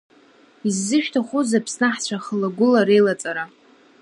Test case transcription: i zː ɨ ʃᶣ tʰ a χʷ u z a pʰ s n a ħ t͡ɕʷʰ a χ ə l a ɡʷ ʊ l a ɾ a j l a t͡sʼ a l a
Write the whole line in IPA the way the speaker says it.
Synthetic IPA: i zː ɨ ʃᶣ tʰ a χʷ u z a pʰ s n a ħ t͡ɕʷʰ a χ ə l a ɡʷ ʊ l a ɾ e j l a t͡sʼ a ɾ a